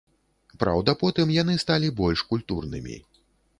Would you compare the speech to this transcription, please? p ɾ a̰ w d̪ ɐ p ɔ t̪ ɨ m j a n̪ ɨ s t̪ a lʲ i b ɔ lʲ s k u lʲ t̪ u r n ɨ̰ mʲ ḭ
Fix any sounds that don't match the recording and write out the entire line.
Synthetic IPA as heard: p ɾ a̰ w d̪ ɐ p ɔ t̪ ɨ m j a n̪ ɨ s t̪ a lʲ i b ɔ lʲ ʂ k u lʲ t̪ u r n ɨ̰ mʲ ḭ

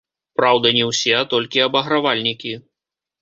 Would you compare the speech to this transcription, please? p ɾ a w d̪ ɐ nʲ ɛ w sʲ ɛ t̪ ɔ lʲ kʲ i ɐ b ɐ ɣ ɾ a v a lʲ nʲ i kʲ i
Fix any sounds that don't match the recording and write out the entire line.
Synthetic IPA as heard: p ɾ a w d̪ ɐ nʲ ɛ w sʲ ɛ t̪ ɔ lʲ kʲ i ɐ b ɐ ɣ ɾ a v a lʲ nʲ i kʲ i

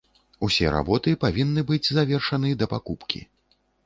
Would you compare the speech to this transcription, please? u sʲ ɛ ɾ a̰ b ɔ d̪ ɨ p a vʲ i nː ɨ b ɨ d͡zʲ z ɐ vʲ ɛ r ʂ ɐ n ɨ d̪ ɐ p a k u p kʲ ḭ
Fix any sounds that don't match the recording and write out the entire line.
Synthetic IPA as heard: u sʲ ɛ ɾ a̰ b ɔ t̪ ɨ p a vʲ i nː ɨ b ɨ d͡zʲ z a vʲ ɛ r ʂ ɐ n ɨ d̪ ɐ p a k u p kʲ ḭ

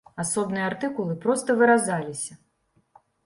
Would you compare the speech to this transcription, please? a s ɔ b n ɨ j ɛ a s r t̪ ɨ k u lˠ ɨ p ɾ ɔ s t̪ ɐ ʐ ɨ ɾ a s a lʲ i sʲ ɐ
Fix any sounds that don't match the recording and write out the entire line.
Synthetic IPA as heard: a s ɔ b n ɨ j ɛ a r t̪ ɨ k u lˠ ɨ p ɾ ɔ s t̪ ɐ v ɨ ɾ a z a lʲ i sʲ ɐ

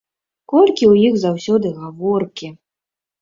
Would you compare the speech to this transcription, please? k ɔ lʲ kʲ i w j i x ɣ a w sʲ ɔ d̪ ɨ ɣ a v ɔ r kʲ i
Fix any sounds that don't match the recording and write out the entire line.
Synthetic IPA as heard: k ɔ lʲ kʲ i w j i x z a w sʲ ɔ d̪ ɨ ɣ a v ɔ r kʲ i

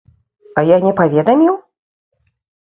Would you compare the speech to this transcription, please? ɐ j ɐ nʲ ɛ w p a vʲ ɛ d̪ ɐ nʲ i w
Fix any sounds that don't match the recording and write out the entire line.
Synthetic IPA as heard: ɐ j a nʲ ɛ p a vʲ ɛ d̪ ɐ mʲ i w

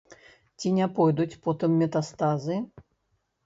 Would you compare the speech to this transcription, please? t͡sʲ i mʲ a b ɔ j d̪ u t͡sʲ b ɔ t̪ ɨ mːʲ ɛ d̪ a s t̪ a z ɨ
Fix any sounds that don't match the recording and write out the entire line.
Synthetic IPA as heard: t͡sʲ i nʲ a p ɔ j d̪ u t͡sʲ p ɔ t̪ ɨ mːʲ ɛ t̪ a s t̪ a z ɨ

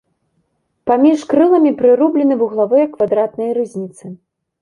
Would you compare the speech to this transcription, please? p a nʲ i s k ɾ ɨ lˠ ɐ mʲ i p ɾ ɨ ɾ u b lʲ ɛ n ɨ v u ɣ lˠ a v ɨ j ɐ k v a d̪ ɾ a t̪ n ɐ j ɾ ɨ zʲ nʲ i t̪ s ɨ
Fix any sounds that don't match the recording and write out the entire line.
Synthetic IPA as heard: p a mʲ i ʂ k ɾ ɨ lˠ ɐ mʲ i p ɾ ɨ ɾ u b lʲ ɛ n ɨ v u ɣ lˠ a v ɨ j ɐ k v a d̪ ɾ a t̪ n ɐ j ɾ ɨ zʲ nʲ i t̪ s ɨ

